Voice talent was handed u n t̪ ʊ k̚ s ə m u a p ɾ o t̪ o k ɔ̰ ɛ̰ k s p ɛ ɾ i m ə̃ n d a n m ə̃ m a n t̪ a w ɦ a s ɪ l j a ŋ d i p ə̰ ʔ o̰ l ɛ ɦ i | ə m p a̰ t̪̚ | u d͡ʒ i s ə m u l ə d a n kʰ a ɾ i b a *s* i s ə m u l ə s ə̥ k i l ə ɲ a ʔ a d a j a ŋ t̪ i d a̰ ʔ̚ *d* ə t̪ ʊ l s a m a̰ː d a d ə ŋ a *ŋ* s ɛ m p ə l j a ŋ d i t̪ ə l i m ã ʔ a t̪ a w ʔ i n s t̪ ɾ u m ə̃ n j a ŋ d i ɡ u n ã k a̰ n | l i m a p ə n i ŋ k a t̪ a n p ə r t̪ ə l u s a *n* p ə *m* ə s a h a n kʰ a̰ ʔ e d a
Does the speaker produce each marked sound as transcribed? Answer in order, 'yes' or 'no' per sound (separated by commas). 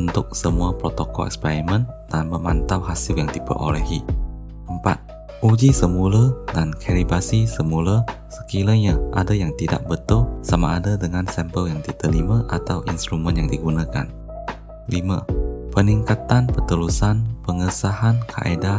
yes, no, no, yes, no